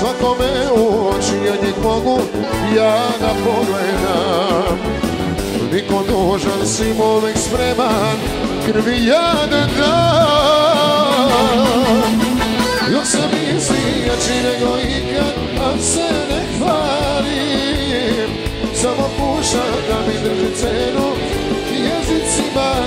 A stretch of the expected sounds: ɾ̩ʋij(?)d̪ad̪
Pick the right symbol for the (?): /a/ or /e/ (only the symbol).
a